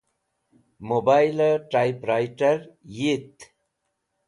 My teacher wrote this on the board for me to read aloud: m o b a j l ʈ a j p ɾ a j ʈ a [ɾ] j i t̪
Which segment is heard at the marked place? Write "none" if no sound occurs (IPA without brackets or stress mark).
ɾ